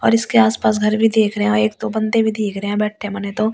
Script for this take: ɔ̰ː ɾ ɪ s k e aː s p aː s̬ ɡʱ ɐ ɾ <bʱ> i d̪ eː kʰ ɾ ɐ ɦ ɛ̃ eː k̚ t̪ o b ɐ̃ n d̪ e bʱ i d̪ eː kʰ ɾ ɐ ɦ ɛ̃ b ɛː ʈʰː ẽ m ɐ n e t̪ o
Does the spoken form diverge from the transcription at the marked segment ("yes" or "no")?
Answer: no